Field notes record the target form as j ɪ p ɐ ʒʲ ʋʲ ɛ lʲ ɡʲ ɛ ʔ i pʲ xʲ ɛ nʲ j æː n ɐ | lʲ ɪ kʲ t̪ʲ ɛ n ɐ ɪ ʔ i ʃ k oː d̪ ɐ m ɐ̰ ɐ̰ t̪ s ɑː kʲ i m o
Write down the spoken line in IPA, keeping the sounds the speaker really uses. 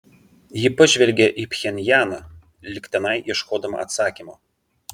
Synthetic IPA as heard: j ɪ p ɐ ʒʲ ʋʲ ɛ lʲ ɡʲ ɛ ʔ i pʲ xʲ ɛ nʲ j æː n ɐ | lʲ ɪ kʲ t̪ʲ ɛ n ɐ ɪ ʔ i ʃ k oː d̪ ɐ m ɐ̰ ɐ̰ t̪ s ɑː kʲ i m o